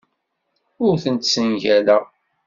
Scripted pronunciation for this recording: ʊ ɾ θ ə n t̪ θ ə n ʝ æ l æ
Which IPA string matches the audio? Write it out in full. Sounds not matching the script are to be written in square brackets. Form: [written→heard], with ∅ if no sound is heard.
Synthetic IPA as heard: ʊ ɾ θ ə n t̪ [θ→s] ə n ʝ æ l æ